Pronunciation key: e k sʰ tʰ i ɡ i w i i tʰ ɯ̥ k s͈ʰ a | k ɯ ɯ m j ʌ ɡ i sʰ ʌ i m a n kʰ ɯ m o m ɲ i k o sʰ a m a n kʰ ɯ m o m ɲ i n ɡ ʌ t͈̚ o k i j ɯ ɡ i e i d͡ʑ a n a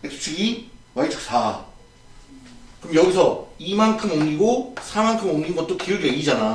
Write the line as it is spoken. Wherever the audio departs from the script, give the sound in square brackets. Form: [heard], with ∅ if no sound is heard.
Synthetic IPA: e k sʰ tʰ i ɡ i w [a] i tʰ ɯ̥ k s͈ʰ a | k ɯ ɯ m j ʌ ɡ i sʰ ʌ i m a n kʰ ɯ m o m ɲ i [ɡ] o sʰ a m a n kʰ ɯ m o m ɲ i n ɡ ʌ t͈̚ o k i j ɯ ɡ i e i d͡ʑ a n a